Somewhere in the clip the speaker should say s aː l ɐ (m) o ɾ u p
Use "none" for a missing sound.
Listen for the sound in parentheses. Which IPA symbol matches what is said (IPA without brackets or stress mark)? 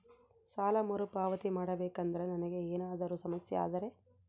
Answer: m